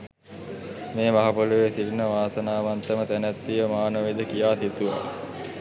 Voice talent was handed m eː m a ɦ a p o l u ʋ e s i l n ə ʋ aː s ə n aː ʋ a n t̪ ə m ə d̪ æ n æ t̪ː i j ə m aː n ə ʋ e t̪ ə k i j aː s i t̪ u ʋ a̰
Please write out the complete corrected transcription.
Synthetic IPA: m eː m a ɦ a p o l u ʋ e s i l n ə ʋ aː s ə n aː ʋ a n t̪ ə m ə t̪ æ n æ t̪ː i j ə m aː n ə ʋ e d̪ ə k i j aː s i t̪ u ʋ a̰